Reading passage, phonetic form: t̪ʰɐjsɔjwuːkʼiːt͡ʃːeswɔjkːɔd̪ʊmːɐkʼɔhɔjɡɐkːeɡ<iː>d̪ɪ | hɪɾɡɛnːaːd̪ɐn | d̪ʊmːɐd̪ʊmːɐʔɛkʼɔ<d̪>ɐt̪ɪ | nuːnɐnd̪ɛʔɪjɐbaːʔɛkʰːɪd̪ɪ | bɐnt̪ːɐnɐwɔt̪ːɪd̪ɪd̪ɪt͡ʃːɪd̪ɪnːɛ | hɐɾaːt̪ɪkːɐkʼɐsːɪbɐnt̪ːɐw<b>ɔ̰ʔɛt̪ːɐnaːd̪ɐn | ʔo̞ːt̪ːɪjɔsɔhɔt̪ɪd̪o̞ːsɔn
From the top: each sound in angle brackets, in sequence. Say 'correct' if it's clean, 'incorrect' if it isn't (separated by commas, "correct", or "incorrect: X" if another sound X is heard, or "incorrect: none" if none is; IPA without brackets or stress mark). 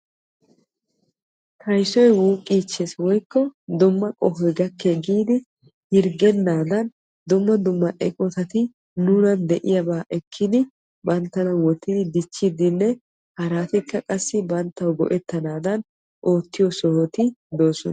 correct, incorrect: t̪, incorrect: ɡ